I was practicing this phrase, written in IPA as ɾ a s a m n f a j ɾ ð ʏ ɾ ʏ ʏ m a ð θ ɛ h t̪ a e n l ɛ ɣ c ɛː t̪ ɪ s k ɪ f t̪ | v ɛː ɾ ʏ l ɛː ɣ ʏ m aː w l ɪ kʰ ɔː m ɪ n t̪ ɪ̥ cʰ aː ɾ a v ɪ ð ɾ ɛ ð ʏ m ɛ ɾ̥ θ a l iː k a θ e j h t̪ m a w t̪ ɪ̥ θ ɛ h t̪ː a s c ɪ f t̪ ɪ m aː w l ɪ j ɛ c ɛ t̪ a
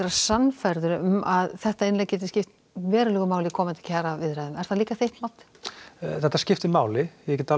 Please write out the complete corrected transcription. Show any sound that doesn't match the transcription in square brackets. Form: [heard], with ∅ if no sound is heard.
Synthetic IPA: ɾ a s a [∅] n f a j ɾ ð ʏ ɾ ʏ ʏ m a ð θ ɛ h t̪ a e n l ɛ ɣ c ɛː t̪ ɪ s [c] ɪ f t̪ | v ɛː ɾ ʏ l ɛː ɣ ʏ m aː w l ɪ kʰ ɔː m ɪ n t̪ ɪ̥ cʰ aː ɾ a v ɪ ð ɾ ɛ ð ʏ m ɛ ɾ̥ θ a l iː k a θ e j h t̪ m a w t̪ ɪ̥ θ ɛ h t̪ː a s c ɪ f t̪ ɪ m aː w l ɪ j ɛ c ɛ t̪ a